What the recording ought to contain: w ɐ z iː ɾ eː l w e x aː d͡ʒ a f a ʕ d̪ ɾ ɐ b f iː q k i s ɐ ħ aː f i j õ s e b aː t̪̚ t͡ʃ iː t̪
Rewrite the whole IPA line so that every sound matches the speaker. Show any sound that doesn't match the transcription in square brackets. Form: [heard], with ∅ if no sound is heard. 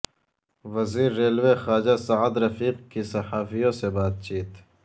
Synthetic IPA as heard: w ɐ z iː [ɾː] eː l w e x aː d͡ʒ a [s] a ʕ d̪ ɾ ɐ [∅] f iː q k i s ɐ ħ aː f i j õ s e b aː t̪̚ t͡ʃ iː t̪